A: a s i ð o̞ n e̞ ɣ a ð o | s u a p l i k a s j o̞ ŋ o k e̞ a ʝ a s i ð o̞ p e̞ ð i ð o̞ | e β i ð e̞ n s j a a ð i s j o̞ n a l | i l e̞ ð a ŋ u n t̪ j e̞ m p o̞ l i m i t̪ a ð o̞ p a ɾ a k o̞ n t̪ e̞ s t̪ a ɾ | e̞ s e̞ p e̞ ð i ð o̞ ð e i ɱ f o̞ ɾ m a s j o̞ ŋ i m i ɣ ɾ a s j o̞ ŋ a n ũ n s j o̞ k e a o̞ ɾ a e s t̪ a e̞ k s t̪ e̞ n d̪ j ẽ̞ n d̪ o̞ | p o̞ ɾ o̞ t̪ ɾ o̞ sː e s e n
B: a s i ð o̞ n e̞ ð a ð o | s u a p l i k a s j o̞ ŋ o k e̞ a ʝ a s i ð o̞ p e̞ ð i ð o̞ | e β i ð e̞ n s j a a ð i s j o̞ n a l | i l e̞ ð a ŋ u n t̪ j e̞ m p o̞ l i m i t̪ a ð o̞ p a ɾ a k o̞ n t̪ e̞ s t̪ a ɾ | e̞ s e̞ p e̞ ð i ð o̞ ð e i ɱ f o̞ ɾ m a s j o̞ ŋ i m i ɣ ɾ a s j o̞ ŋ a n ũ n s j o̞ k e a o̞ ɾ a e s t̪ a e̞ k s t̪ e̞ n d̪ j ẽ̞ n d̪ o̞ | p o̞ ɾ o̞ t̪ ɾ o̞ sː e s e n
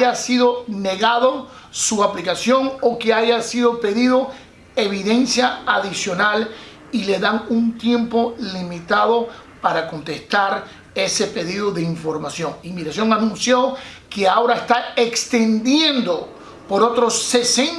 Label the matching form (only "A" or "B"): A